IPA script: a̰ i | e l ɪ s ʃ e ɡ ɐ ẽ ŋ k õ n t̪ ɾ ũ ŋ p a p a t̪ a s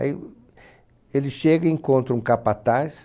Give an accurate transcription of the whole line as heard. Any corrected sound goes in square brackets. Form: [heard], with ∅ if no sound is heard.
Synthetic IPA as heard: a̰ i | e l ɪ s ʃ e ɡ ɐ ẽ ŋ k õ n t̪ ɾ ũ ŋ [k] a p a t̪ a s

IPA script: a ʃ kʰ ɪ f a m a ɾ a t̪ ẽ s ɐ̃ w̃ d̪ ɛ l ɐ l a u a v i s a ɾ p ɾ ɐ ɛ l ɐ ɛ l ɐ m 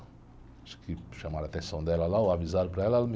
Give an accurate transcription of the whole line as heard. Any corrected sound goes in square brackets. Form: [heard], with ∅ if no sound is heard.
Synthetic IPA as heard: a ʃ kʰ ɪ [ʃ] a m a ɾ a t̪ ẽ s ɐ̃ w̃ d̪ ɛ l ɐ l a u a v i [z] a ɾ p ɾ ɐ ɛ l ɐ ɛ l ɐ m

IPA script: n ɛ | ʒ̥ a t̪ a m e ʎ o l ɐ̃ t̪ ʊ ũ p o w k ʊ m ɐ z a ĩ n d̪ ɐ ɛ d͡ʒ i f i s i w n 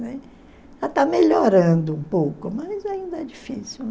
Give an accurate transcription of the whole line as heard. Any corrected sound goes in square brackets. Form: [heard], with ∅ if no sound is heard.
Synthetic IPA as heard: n ɛ | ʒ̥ a t̪ a m e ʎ o [ɾ] ɐ̃ [d̪] ʊ ũ p o w k ʊ m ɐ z a ĩ n d̪ ɐ ɛ d͡ʒ i f i s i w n

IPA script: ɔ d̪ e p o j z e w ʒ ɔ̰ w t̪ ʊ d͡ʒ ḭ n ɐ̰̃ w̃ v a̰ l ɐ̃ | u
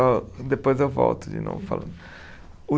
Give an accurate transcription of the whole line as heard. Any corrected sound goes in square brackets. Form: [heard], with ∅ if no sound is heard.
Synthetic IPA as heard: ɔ d̪ e p o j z e w [v] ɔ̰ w t̪ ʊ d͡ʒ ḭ n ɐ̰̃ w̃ [f] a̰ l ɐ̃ | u

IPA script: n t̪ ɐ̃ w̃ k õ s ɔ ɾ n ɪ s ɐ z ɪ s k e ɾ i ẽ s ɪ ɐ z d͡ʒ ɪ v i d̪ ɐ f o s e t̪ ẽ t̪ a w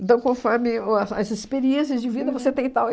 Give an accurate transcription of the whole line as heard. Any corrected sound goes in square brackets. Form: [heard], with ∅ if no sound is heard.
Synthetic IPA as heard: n t̪ ɐ̃ w̃ k õ [f] ɔ ɾ [m] ɪ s ɐ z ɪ s [p] e ɾ i ẽ s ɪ ɐ z d͡ʒ ɪ v i d̪ ɐ [v] o s e t̪ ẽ t̪ a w

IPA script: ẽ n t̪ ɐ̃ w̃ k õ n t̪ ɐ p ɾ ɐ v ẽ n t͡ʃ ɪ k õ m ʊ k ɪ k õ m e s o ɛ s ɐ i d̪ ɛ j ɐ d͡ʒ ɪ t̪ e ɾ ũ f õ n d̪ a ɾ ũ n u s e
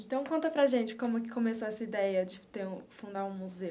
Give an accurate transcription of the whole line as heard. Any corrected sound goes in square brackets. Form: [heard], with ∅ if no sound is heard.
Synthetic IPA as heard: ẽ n t̪ ɐ̃ w̃ k õ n t̪ ɐ p ɾ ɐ [ʒ] ẽ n t͡ʃ ɪ k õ m ʊ k ɪ k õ m e s o ɛ s ɐ i d̪ ɛ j ɐ d͡ʒ ɪ t̪ e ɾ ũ f [ũ] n d̪ a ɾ ũ [m] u [z] e

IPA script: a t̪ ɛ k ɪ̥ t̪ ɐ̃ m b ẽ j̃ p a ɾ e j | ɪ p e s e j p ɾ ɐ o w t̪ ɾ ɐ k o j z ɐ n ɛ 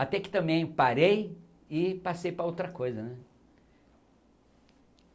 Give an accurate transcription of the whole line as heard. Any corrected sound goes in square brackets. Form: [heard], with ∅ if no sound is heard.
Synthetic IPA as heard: a t̪ ɛ k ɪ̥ t̪ ɐ̃ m b ẽ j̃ p a ɾ e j | ɪ p [a] s e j p ɾ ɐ o w t̪ ɾ ɐ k o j z ɐ n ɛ

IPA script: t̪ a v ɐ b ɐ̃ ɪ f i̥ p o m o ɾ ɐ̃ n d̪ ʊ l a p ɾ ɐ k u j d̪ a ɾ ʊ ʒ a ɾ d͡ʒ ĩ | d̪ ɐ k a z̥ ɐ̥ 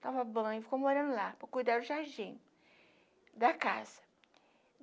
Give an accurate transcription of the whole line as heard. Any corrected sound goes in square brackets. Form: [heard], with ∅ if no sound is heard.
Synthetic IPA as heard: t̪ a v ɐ b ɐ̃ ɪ f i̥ [k] o m o ɾ ɐ̃ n d̪ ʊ l a p ɾ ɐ k u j d̪ a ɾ ʊ ʒ a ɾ d͡ʒ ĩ | d̪ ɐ k a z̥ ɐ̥

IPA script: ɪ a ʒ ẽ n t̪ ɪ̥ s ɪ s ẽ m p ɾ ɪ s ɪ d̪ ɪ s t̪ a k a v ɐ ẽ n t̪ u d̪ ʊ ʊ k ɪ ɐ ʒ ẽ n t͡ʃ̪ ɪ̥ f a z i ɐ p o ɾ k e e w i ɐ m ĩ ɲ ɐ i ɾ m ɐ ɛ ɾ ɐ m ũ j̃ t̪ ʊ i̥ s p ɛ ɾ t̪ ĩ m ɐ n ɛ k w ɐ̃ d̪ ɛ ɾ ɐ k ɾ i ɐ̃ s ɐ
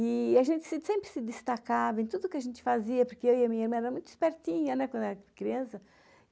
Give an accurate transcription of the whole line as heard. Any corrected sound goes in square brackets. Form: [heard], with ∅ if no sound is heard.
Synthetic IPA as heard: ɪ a ʒ ẽ n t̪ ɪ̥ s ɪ s ẽ m p ɾ ɪ s ɪ d̪ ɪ s t̪ a k a v ɐ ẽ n t̪ u d̪ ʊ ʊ k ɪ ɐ ʒ ẽ n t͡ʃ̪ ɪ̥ f a z i ɐ p o ɾ k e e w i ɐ m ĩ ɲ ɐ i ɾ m [ɐ̃] ɛ ɾ ɐ m ũ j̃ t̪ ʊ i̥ s p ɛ ɾ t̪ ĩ [ɲ] ɐ n ɛ k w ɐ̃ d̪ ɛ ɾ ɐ k ɾ i ɐ̃ s ɐ

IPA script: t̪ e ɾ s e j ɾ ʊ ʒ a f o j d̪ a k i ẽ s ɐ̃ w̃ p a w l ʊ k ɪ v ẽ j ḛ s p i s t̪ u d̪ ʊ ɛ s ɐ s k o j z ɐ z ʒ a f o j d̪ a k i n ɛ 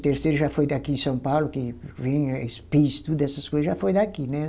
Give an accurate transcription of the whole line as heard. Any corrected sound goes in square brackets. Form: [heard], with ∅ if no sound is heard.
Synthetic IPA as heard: t̪ e ɾ s e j ɾ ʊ ʒ a f o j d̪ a k i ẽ s ɐ̃ w̃ p a w l ʊ k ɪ v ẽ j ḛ s p i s t̪ u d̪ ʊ ɛ s ɐ s k o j z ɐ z ʒ a f o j d̪ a k i n ɛ

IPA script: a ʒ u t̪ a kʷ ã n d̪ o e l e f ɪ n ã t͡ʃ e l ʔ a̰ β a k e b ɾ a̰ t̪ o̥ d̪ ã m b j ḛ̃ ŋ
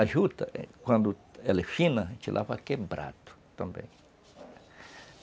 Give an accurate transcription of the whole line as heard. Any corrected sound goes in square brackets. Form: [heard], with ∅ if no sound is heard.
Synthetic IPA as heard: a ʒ u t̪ a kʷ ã n d̪ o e l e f [i] n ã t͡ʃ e l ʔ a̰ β a k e b ɾ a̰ t̪ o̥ [t̪] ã m b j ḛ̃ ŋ

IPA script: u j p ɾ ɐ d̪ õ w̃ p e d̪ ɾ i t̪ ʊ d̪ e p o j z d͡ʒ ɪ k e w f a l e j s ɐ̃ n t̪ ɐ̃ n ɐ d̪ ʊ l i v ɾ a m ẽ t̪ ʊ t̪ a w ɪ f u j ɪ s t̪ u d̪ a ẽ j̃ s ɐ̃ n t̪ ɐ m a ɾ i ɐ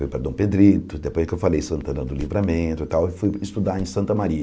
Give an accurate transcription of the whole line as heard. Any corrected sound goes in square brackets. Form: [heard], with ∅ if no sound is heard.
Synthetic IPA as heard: u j p ɾ ɐ d̪ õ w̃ p e d̪ ɾ i t̪ ʊ d̪ e p o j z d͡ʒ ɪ k e w f a l e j s ɐ̃ n t̪ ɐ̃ n ɐ d̪ ʊ l i v ɾ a m ẽ t̪ ʊ t̪ a w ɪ f u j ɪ s t̪ u d̪ a ẽ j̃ s ɐ̃ n t̪ ɐ m a ɾ i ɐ

